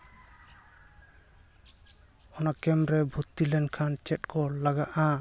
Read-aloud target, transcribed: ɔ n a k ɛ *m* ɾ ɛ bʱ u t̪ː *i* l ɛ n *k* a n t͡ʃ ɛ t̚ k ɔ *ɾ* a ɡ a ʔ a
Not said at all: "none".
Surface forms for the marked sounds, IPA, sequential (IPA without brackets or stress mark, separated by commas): m, i, kʰ, l